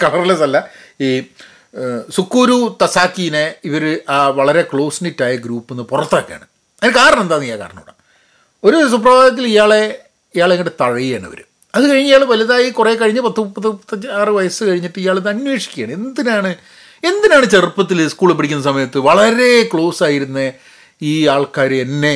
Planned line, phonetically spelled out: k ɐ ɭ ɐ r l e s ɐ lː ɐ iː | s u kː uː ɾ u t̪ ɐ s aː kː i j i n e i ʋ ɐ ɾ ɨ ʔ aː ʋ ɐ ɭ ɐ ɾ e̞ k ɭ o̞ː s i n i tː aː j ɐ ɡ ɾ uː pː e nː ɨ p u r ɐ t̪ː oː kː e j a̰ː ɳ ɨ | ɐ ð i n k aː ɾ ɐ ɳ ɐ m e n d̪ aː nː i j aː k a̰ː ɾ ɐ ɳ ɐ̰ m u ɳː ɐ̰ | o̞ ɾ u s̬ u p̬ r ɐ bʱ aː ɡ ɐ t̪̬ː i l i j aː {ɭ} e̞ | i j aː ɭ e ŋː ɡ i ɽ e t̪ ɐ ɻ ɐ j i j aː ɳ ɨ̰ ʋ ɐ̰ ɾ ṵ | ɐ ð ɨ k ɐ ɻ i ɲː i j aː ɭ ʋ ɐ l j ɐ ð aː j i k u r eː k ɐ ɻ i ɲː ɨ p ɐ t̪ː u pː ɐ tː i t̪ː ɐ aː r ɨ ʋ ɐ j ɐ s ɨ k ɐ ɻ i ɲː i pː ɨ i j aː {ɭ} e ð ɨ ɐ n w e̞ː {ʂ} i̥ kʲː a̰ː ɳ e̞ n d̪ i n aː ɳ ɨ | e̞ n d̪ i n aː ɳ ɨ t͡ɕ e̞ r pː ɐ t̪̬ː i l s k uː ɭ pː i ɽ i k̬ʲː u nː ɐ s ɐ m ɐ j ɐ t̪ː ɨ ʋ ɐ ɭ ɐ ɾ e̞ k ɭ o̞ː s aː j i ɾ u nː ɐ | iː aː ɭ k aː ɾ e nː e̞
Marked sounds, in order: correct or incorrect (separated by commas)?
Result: correct, correct, correct